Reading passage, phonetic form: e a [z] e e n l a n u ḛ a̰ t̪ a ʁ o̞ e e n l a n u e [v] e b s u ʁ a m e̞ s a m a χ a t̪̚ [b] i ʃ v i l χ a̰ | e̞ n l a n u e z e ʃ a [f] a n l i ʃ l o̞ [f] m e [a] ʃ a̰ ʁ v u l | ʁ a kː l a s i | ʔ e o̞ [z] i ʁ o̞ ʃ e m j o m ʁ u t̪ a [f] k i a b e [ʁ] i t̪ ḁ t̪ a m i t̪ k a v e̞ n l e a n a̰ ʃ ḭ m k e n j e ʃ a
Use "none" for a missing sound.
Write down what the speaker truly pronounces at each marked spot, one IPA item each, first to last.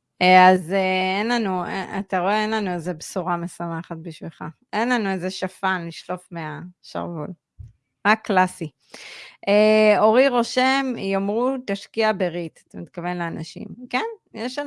z, z, b, f, f, a, ʁ, ʃ, ʁ

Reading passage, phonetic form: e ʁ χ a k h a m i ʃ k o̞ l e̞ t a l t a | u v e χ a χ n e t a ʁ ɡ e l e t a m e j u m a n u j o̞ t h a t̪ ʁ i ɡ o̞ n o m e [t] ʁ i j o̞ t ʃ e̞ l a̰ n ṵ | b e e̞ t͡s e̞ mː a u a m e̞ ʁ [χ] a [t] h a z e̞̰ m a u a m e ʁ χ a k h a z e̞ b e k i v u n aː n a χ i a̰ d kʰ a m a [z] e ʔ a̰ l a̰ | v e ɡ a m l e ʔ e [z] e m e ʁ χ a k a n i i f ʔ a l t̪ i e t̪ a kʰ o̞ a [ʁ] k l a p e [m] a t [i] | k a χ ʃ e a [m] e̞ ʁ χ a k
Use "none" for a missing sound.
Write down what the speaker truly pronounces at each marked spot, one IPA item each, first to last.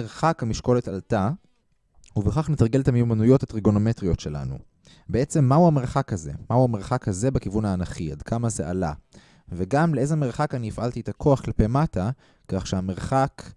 t, χ, k, z, z, χ, m, a, m

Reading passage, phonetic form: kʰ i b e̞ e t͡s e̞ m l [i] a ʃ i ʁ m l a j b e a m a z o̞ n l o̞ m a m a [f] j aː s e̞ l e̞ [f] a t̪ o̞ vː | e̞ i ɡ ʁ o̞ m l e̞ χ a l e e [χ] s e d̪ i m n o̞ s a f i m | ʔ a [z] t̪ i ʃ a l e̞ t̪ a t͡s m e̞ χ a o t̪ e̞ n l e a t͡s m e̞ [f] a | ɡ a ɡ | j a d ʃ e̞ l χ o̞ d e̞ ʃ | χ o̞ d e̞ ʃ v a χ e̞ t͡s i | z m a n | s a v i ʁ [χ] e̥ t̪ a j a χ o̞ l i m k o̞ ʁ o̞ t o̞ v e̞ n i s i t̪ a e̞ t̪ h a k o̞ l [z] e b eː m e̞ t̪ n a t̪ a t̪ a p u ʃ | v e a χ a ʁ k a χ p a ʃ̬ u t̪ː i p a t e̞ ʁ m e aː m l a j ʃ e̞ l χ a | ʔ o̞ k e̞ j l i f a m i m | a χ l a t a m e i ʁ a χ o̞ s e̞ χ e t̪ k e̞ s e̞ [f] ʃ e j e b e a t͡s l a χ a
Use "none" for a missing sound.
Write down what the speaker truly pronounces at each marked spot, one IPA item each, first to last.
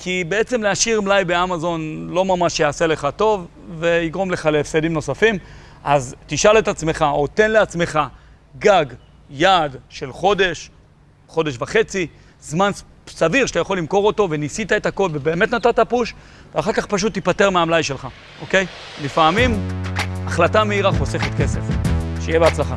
e, ʃ, χ, f, z, χ, ʃ, v, f

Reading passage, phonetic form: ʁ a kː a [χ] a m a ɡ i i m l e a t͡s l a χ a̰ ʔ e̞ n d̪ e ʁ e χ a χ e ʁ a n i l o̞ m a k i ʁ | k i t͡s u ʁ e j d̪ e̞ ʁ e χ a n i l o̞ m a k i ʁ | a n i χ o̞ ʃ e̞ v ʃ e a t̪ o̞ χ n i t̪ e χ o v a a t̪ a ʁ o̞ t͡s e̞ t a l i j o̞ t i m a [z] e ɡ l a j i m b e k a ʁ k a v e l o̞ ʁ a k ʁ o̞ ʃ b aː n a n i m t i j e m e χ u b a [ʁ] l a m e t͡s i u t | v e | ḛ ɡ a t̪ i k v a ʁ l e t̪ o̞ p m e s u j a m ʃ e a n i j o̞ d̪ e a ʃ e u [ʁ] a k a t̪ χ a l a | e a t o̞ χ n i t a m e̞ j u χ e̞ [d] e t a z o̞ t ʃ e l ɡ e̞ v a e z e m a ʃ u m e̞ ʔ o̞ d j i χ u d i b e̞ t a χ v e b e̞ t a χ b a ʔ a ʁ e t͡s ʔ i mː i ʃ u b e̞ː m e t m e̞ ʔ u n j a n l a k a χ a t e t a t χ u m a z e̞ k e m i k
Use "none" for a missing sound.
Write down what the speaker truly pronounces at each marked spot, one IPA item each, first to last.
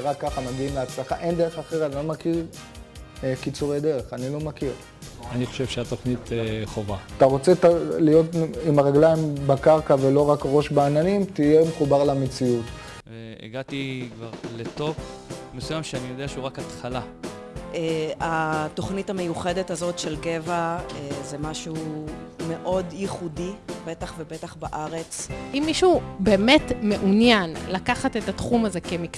χ, ʁ, ʁ, ʁ, d

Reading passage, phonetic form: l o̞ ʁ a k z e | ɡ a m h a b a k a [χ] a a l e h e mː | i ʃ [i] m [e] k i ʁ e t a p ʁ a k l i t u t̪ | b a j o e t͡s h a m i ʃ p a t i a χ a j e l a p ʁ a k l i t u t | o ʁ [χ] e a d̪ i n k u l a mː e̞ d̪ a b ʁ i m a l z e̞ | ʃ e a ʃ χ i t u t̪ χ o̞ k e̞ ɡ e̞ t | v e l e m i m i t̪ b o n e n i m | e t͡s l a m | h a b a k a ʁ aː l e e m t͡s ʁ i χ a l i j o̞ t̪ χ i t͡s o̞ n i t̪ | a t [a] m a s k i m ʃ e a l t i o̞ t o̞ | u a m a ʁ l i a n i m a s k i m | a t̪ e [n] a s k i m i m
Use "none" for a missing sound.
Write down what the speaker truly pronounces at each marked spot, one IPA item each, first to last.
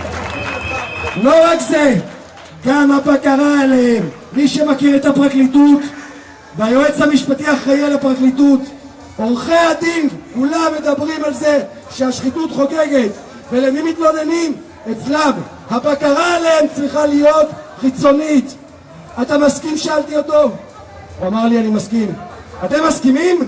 ʁ, e, a, χ, a, m

